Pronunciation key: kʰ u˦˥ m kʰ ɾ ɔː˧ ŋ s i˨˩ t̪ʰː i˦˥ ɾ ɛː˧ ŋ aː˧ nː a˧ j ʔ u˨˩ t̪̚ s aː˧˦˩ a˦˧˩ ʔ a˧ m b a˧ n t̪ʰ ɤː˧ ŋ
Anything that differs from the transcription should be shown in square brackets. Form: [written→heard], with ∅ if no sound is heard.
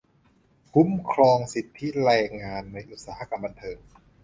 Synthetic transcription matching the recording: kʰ u˦˥ m kʰ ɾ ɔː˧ ŋ s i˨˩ t̪ʰː i˦˥ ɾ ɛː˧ ŋ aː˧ nː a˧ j ʔ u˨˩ t̪̚ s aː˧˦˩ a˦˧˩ [ʔ→k] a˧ m b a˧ n t̪ʰ ɤː˧ ŋ